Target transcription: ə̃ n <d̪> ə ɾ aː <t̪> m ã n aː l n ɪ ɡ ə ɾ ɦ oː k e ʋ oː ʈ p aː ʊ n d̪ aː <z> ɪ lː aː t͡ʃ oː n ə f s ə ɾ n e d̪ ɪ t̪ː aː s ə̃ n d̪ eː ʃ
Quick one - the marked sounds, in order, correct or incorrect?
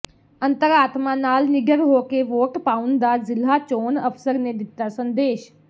incorrect, correct, correct

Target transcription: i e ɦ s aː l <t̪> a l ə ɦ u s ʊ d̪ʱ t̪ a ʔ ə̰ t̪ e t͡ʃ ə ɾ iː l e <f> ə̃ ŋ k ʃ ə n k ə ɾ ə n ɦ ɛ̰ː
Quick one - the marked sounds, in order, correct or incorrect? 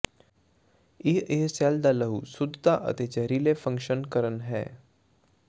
incorrect, correct

